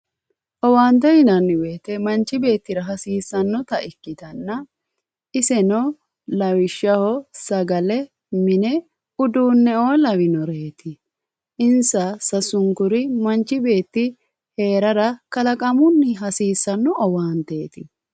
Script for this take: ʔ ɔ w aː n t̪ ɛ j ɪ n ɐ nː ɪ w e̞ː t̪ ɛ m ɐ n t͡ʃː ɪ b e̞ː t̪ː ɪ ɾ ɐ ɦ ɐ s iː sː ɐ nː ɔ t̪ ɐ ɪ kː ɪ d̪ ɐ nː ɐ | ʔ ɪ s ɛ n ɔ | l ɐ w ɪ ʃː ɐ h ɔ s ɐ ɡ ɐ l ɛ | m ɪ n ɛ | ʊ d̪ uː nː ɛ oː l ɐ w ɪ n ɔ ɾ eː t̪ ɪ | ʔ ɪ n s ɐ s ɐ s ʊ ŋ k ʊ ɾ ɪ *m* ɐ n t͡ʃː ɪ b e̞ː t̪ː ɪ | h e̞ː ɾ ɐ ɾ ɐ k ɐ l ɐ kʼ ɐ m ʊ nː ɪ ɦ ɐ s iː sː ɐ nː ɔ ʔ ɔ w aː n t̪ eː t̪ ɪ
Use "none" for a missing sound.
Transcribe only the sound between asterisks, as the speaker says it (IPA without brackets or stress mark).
m